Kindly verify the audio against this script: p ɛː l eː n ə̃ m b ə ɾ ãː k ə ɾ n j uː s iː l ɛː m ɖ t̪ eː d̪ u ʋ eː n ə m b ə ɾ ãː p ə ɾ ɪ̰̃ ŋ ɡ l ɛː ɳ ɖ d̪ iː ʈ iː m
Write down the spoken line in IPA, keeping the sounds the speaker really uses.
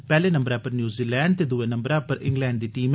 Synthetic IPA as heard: p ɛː l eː n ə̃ m b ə ɾ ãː p ə ɾ n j uː z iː l ɛː ɳ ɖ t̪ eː d̪ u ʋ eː n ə m b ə ɾ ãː p ə ɾ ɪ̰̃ ŋ ɡ l ɛː ɳ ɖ d̪ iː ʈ iː m